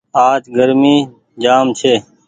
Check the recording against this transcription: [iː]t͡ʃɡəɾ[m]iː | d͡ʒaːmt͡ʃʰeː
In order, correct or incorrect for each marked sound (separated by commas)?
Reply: incorrect, correct